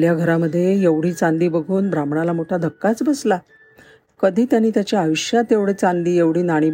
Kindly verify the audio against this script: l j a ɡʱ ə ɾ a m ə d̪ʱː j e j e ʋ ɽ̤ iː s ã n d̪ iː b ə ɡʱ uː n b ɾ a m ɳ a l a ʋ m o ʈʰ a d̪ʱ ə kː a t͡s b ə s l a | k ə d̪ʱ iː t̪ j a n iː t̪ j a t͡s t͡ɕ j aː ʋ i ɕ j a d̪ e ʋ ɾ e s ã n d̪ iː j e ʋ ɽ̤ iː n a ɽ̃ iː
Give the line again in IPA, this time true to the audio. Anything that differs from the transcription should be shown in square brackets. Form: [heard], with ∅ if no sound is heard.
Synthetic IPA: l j a ɡʱ ə ɾ a m ə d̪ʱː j e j e ʋ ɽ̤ iː [t͡s] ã n d̪ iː b ə ɡʱ uː n b ɾ a m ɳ a l a [∅] m o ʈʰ a d̪ʱ ə kː a t͡s b ə s l a | k ə d̪ʱ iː t̪ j a n iː t̪ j a [∅] t͡ɕ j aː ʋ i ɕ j a [t̪] e ʋ [ɽ] e [t͡s] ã n d̪ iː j e ʋ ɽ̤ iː n a ɽ̃ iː